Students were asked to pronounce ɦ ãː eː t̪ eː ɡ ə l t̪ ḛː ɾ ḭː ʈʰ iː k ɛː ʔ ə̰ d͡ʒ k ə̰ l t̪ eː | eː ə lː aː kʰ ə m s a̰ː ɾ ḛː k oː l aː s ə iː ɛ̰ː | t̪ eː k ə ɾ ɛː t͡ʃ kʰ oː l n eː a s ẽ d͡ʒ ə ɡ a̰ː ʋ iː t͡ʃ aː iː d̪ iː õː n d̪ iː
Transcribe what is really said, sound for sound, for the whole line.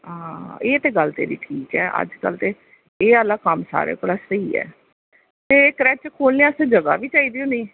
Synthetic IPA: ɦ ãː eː t̪ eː ɡ ə l t̪ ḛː ɾ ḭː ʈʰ iː k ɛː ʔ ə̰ d͡ʒ k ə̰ l t̪ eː | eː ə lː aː k ə m s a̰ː ɾ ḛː k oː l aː s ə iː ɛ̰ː | t̪ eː k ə ɾ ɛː t͡ʃ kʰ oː l n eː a s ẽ d͡ʒ ə ɡ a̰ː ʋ iː t͡ʃ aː iː d̪ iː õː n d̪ iː